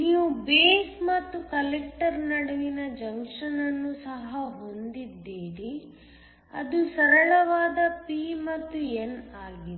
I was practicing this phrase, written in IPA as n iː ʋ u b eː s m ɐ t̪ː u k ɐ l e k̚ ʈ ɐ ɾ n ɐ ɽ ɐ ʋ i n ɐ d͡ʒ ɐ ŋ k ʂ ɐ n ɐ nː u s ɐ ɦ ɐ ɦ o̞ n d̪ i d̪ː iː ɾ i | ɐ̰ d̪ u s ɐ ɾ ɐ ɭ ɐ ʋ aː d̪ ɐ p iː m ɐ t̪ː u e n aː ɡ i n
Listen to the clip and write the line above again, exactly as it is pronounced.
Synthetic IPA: n iː ʋ u b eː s m ɐ t̪ː u k ɐ l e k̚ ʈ ɐ ɾ n ɐ ɽ ɐ ʋ i n ɐ d͡ʒ ɐ ŋ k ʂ ɐ n ɐ nː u s ɐ ɦ ɐ ɦ o̞ n d̪ i d̪ː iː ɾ i | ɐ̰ d̪ u s ɐ ɾ ɐ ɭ ɐ ʋ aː d̪ ɐ p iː m ɐ t̪ː u e n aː ɡ i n